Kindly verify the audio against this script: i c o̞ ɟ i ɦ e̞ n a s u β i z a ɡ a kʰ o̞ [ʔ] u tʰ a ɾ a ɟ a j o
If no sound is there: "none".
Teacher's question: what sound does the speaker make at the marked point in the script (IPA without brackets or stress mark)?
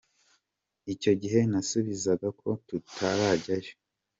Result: t